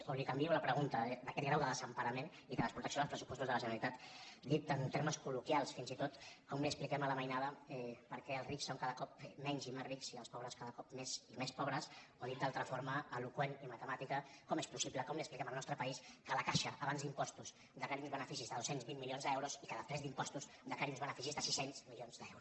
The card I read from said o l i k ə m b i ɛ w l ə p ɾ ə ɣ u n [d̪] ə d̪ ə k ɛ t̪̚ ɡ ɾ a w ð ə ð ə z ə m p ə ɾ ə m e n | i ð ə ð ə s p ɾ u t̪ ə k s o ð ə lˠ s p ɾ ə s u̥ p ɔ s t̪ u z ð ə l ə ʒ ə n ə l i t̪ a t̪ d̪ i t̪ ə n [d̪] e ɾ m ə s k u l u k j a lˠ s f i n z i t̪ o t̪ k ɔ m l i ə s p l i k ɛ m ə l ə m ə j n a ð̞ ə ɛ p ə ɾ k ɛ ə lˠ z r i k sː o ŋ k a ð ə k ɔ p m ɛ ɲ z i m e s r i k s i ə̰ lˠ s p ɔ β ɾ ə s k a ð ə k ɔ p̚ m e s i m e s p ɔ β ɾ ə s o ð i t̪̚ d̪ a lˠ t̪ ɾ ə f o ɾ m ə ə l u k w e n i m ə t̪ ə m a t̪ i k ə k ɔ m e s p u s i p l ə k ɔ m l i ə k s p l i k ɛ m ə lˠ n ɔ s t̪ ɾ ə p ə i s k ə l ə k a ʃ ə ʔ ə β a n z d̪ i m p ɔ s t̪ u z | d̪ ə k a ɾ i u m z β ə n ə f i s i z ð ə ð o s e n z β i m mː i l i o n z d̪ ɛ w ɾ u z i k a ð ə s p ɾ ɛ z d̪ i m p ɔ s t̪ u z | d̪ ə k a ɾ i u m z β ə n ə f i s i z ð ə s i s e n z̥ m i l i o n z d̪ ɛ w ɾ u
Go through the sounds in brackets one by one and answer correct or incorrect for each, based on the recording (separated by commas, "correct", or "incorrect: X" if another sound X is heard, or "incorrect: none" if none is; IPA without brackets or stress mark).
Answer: incorrect: t̪, incorrect: t̪